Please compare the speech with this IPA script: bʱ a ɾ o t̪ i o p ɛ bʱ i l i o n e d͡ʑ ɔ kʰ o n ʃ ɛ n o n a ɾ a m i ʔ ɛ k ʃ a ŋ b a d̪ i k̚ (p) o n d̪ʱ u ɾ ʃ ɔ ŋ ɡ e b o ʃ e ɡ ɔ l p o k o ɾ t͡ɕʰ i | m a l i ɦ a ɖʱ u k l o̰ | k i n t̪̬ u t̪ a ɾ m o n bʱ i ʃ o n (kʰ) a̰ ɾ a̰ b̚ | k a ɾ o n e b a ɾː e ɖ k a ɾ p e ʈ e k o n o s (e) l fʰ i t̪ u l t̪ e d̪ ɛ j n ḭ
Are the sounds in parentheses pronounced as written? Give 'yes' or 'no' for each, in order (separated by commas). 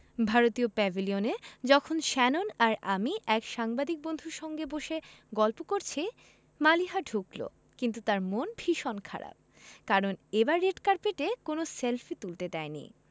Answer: no, yes, yes